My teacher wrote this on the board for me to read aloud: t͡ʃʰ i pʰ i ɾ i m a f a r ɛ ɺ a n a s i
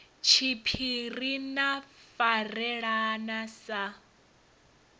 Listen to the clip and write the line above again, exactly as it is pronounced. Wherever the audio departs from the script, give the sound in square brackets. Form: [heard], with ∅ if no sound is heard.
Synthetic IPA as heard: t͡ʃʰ i pʰ i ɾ i [n] a f a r ɛ ɺ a n a s [a]